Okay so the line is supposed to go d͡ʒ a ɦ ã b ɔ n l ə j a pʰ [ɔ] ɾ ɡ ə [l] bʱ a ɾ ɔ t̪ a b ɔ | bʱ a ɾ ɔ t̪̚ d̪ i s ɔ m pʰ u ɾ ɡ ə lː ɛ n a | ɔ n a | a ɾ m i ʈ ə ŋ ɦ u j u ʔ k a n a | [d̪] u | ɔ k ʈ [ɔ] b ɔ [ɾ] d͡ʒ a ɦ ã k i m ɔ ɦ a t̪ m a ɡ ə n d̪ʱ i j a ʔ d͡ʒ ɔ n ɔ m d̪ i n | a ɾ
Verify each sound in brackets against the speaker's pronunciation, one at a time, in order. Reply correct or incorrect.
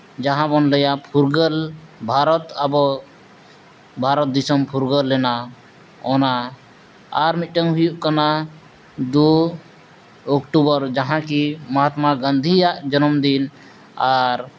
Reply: incorrect, correct, correct, incorrect, correct

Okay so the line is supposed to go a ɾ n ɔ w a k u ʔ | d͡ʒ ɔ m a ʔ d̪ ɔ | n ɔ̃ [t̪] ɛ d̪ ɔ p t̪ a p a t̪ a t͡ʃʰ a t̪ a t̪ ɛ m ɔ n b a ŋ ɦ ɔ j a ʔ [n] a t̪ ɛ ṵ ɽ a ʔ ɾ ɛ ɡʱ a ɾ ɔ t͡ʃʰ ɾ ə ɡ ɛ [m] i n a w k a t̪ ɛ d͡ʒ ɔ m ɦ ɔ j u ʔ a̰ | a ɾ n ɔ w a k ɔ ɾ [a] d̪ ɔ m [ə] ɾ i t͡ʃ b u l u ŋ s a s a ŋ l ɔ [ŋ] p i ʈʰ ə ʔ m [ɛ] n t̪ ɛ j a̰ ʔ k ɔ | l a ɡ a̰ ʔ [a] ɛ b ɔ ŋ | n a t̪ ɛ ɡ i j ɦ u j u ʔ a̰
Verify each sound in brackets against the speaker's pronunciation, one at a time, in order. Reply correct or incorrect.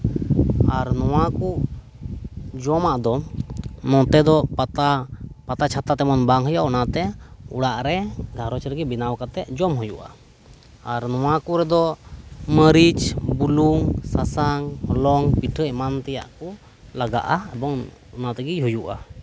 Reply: correct, correct, incorrect, incorrect, correct, correct, incorrect, correct

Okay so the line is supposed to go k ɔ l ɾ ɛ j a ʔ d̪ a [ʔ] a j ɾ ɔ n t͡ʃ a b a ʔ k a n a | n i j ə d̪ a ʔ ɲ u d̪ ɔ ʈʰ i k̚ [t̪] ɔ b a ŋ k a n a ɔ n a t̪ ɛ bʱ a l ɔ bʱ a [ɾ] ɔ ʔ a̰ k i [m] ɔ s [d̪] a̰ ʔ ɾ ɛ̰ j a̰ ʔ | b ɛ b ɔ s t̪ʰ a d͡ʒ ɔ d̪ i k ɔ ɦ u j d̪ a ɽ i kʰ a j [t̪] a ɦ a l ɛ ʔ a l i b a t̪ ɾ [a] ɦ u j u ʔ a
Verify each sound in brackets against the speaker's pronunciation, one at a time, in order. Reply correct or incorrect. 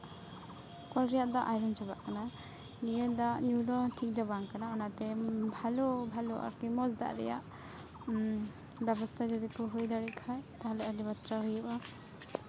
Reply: correct, incorrect, incorrect, correct, correct, correct, correct

